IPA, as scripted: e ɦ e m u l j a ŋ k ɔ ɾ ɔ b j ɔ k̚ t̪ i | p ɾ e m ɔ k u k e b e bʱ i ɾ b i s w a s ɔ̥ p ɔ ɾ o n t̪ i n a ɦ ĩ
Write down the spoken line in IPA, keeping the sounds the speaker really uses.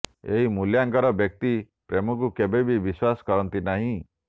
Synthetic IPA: e ɦ i m u l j a ŋ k ɔ ɾ ɔ b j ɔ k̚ t̪ i | p ɾ e m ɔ k u k e b e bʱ i b i s w a s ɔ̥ k ɔ ɾ ɔ n t̪ i n a ɦ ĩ